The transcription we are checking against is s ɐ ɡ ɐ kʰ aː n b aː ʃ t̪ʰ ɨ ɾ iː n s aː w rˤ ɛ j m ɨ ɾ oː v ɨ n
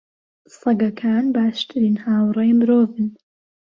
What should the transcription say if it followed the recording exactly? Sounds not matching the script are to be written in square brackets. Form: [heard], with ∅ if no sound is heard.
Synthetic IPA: s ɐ ɡ ɐ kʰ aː n b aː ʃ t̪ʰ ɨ ɾ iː n [h] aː w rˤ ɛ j m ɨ ɾ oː v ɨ n